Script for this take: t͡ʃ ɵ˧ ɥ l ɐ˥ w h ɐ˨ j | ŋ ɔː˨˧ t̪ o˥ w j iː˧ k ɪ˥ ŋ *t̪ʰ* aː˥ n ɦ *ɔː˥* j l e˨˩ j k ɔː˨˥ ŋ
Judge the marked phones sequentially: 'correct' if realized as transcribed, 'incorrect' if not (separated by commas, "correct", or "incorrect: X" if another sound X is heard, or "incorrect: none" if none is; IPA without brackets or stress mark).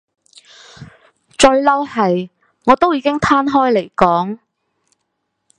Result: correct, correct